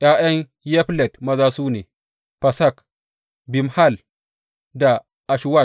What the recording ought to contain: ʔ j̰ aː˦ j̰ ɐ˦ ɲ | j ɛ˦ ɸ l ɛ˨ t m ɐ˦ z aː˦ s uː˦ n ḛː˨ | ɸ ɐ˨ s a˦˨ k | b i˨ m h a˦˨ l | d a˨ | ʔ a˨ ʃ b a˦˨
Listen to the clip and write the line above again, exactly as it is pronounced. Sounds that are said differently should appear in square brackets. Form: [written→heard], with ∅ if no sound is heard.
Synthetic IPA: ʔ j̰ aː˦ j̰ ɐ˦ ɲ | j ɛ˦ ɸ l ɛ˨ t m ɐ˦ z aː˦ s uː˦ n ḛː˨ | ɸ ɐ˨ s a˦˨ k | b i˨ m h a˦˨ l | d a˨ | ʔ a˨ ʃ [b→w] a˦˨

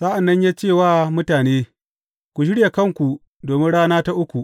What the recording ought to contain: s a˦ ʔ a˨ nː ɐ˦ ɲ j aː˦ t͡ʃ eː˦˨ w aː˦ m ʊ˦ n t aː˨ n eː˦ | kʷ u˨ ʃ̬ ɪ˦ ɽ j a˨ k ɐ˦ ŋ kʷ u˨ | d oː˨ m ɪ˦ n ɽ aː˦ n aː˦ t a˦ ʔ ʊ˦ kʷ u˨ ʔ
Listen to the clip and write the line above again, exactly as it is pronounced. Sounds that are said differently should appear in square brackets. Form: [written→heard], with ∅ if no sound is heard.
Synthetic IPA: s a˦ ʔ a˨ nː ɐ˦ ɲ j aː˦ t͡ʃ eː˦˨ w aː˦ m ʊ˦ [n→∅] t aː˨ n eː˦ | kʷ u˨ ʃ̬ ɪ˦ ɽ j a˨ k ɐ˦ ŋ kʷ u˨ | d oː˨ m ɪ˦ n ɽ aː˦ n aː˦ t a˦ ʔ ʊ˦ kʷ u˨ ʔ

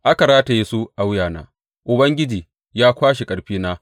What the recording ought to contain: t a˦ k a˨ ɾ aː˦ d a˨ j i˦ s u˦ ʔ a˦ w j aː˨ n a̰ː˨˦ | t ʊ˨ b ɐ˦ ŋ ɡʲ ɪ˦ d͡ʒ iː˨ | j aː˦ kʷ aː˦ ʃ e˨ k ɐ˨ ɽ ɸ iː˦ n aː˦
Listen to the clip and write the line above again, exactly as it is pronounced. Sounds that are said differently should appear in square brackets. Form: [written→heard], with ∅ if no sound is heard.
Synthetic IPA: [t→ʔ] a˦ k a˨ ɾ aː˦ [d→t] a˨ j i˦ s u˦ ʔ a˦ w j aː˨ n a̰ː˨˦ | [t→ʔ] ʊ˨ b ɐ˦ ŋ ɡʲ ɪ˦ d͡ʒ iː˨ | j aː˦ kʷ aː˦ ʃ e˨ [k→kʼ] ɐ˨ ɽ ɸ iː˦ n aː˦

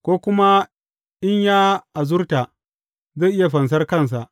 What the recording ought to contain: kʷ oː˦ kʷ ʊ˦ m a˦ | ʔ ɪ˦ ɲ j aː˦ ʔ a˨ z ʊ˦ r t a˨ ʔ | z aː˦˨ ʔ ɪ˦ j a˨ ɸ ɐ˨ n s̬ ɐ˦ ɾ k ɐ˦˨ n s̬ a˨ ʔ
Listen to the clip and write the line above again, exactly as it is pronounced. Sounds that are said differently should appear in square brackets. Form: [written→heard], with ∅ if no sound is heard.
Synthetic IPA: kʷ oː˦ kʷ ʊ˦ m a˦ | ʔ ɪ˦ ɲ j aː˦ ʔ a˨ z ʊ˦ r t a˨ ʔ | z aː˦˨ ʔ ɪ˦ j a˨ ɸ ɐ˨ n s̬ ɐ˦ [ɾ→r] k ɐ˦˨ n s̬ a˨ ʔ

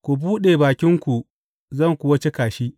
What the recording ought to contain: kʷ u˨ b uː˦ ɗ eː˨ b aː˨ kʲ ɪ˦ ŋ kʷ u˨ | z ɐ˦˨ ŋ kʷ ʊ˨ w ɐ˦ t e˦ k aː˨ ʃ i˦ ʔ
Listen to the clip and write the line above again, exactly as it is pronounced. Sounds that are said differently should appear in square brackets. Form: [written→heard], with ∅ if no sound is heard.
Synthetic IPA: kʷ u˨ b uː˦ ɗ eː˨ b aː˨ kʲ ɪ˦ ŋ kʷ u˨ | z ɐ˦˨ ŋ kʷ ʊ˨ w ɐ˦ [t→t͡ʃ] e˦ k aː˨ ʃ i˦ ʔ

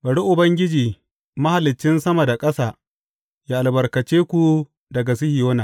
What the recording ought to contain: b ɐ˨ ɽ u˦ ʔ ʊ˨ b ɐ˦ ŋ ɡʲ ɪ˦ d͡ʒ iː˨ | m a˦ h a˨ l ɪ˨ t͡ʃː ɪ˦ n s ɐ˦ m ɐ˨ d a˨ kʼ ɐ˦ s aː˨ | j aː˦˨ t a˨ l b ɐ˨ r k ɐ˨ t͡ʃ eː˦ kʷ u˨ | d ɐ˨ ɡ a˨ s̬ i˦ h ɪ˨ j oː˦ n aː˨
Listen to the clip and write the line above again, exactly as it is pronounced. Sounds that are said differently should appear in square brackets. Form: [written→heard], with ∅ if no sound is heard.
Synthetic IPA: b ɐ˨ ɽ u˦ ʔ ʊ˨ b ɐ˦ ŋ ɡʲ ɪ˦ d͡ʒ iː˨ | m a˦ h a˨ l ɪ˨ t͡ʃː ɪ˦ n s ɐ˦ m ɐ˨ d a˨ kʼ ɐ˦ s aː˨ | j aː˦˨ [t→ʔ] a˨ l b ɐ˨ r k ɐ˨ t͡ʃ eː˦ kʷ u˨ | d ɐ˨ ɡ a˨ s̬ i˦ h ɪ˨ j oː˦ n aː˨

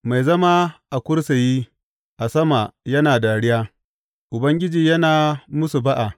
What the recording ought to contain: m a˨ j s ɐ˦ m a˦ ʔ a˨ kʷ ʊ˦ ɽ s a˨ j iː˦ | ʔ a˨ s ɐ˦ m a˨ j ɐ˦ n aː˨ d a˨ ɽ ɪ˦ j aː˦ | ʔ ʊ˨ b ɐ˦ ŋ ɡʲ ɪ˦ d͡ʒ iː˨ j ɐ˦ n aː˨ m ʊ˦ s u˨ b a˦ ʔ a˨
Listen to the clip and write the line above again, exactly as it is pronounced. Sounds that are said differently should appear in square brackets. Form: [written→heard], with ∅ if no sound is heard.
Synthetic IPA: m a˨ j [s→z] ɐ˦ m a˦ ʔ a˨ kʷ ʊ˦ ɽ s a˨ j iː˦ | ʔ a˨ s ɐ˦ m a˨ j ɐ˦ n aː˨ d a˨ ɽ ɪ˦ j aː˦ | ʔ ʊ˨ b ɐ˦ ŋ ɡʲ ɪ˦ d͡ʒ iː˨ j ɐ˦ n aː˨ m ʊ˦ s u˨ b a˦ ʔ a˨

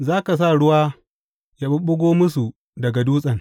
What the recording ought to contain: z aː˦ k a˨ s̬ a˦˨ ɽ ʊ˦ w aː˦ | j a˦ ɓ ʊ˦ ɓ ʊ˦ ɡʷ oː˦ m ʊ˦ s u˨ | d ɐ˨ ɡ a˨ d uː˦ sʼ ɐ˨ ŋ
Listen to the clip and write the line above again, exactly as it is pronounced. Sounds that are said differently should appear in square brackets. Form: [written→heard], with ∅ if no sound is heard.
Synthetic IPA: z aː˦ k a˨ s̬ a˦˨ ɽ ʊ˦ w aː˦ | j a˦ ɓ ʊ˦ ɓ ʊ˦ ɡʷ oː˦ m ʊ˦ s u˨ | d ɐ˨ ɡ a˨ d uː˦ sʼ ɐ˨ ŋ

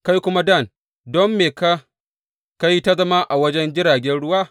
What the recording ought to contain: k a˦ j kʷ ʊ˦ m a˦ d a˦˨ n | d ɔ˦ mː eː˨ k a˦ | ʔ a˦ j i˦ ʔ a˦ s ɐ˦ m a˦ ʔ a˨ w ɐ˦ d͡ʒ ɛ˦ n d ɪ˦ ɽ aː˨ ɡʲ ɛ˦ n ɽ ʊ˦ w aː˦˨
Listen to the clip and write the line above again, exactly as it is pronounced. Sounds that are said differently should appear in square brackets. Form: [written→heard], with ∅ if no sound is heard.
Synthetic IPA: k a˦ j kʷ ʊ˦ m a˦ d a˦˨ n | d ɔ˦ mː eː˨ k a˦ | [ʔ→k] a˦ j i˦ [ʔ→t] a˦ [s→z] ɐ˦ m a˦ ʔ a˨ w ɐ˦ d͡ʒ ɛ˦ n [d→d͡ʒ] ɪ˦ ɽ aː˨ ɡʲ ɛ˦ n ɽ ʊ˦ w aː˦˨

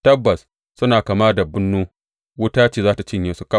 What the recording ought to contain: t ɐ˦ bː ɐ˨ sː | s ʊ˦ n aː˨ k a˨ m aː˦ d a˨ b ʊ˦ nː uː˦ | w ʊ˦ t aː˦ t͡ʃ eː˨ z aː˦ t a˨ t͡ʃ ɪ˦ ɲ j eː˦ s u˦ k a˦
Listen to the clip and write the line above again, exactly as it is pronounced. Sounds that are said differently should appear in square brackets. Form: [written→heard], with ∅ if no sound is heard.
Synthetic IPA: t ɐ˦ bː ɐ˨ [sː→s] | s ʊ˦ n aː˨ k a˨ m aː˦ d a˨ b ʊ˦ nː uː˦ | w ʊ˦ t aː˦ t͡ʃ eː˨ z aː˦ t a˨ t͡ʃ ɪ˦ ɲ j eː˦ s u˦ k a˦

